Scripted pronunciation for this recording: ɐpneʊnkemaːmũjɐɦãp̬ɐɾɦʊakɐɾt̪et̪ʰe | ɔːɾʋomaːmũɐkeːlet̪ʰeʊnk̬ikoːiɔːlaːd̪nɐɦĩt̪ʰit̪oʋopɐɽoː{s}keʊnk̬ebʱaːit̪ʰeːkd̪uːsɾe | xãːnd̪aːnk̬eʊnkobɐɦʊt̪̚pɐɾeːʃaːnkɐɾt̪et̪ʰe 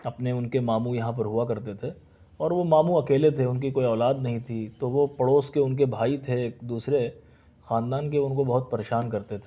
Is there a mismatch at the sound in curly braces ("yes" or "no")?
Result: no